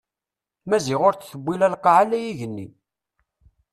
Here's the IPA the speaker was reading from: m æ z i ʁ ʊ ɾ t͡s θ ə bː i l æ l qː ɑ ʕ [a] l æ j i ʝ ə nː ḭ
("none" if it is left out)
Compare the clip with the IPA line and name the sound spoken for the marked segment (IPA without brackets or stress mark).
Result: a